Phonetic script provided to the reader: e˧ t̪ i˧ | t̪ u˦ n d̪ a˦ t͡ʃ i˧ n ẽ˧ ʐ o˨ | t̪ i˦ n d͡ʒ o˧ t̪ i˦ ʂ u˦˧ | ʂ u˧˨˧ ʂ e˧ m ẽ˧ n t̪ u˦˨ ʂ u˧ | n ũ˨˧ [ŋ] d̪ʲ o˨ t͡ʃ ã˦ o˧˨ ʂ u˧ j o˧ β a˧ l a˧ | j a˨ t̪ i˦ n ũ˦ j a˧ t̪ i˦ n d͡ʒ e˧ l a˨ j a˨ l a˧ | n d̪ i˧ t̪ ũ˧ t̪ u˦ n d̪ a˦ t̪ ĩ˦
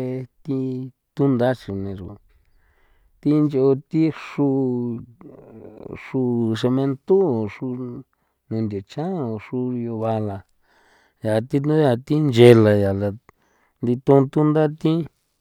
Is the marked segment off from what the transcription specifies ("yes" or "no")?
yes